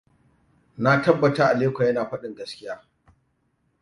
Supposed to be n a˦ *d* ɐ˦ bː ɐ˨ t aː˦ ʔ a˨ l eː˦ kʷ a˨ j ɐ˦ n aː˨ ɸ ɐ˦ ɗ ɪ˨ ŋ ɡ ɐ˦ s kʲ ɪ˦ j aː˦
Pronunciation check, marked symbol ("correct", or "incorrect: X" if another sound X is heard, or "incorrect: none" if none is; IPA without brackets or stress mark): incorrect: t